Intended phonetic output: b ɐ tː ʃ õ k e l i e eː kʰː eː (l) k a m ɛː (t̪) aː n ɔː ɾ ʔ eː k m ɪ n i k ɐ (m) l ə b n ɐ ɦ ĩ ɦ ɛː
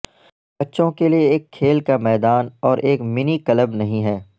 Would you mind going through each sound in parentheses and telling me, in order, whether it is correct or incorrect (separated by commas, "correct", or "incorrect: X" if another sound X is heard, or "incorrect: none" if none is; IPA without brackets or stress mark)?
correct, incorrect: d̪, incorrect: none